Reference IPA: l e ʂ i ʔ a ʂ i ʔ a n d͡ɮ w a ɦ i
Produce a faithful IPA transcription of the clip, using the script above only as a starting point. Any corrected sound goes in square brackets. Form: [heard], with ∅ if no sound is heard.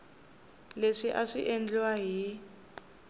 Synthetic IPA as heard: l e ʂ i ʔ a ʂ i ʔ [e] n d͡ɮ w a ɦ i